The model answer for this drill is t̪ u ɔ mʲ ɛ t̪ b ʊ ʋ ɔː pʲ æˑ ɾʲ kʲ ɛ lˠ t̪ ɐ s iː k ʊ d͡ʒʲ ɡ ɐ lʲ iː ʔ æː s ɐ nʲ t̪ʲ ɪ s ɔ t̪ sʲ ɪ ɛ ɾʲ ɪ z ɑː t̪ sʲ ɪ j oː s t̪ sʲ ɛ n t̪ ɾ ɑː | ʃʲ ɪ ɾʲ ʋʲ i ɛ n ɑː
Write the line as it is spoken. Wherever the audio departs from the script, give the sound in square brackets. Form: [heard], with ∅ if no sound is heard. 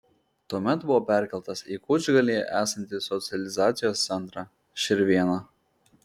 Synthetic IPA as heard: t̪ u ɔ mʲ ɛ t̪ b ʊ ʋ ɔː pʲ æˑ ɾʲ kʲ ɛ lˠ t̪ ɐ s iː k ʊ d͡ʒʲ ɡ ɐ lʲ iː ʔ æː s ɐ nʲ t̪ʲ ɪ s ɔ t̪ sʲ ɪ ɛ [lʲ] ɪ z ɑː t̪ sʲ ɪ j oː s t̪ sʲ ɛ n t̪ ɾ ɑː | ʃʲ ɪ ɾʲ ʋʲ i ɛ n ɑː